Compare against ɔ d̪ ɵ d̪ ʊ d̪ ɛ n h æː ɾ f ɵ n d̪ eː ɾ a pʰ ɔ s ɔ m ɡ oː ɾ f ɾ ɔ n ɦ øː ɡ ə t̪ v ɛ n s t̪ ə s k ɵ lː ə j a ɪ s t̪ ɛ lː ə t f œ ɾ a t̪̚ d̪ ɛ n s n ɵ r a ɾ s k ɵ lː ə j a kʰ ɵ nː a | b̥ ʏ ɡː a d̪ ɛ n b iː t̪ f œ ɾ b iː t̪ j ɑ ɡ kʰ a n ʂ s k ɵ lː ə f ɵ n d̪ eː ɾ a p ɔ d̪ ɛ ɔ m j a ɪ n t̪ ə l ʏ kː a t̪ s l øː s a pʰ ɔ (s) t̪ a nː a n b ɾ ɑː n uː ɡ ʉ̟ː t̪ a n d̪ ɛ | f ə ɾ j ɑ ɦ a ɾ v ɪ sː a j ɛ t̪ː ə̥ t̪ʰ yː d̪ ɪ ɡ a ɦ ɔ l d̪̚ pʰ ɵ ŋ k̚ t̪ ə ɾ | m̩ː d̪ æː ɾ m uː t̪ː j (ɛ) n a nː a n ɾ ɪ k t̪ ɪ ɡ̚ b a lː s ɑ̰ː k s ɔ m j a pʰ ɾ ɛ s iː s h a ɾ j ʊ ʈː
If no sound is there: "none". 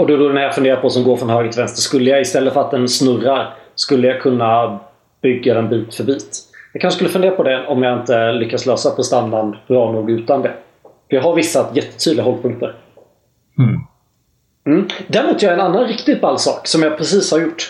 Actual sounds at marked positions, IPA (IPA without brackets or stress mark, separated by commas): s, ɛ